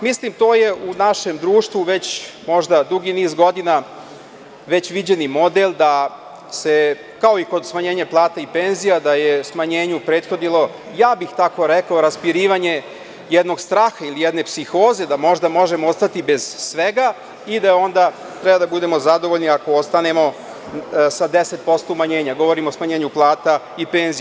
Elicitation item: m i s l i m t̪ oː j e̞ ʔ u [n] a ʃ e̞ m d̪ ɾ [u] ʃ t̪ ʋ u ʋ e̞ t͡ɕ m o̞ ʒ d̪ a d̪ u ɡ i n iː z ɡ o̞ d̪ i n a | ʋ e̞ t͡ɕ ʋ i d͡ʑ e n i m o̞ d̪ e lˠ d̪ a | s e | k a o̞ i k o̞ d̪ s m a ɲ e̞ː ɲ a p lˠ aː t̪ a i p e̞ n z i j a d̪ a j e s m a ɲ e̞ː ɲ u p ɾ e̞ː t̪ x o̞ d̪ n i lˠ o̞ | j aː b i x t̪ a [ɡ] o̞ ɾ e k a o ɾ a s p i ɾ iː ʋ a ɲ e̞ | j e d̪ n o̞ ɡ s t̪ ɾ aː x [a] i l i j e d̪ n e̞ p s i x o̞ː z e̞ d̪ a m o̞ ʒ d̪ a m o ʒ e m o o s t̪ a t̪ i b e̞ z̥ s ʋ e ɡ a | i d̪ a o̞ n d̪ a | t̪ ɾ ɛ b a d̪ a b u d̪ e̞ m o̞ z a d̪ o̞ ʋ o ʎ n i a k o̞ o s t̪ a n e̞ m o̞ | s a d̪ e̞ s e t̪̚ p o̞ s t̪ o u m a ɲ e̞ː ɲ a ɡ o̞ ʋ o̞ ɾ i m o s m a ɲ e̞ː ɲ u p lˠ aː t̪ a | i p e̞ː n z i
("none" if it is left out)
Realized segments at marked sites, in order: n, uː, k, a

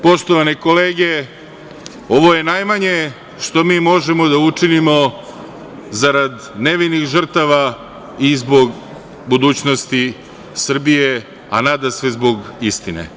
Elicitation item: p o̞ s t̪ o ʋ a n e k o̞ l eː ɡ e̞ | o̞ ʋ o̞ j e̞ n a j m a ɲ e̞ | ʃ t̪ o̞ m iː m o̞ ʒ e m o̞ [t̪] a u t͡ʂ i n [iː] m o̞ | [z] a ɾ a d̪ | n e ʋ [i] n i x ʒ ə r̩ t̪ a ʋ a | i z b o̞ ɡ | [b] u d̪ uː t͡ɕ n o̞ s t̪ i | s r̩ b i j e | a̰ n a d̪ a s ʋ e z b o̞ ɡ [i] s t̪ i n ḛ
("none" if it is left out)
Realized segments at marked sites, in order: d̪, i, z, i, b, i

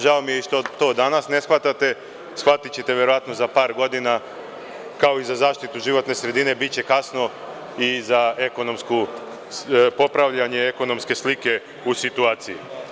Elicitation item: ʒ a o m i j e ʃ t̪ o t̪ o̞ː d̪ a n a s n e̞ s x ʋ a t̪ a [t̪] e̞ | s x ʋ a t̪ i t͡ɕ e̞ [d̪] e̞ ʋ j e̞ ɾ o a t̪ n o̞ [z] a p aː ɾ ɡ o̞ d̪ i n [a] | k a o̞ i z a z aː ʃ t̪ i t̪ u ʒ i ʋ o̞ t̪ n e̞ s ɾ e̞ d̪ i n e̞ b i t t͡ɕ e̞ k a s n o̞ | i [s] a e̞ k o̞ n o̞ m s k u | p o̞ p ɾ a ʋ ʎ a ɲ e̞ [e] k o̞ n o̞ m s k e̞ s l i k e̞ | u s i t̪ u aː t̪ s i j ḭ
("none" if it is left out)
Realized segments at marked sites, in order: t̪, t̪, z, a, z, e

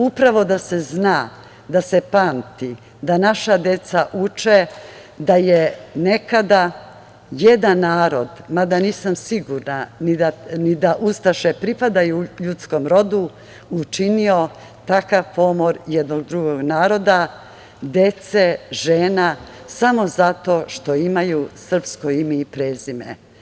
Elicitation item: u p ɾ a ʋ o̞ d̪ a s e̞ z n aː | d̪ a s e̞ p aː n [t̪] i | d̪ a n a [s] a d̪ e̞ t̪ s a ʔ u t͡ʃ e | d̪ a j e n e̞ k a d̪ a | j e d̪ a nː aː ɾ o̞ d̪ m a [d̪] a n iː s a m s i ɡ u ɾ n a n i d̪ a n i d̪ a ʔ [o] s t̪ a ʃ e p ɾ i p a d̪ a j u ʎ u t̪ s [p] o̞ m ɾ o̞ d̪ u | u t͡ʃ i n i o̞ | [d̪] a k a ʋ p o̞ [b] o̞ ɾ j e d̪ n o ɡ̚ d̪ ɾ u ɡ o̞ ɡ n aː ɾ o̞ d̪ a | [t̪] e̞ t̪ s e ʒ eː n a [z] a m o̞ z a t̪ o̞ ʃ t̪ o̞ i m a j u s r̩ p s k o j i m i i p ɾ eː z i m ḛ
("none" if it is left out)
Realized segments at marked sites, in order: t̪, ʃ, d̪, u, k, t̪, m, d̪, s

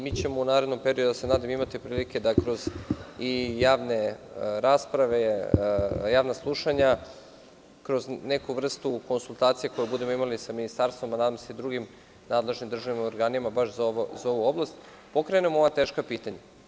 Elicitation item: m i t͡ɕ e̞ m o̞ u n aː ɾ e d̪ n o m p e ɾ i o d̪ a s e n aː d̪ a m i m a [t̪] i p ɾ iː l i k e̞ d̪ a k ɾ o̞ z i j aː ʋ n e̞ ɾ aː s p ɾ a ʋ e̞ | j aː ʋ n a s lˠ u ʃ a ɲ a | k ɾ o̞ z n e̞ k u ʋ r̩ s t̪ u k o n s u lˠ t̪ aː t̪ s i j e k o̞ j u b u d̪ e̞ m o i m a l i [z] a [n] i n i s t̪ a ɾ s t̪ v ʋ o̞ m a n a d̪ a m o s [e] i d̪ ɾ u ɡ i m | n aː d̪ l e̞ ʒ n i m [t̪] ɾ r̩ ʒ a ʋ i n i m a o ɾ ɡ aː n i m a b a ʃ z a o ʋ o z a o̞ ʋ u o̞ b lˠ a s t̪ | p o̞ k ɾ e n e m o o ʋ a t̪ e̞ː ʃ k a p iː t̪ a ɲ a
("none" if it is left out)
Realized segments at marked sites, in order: t̪, s, m, e, d̪

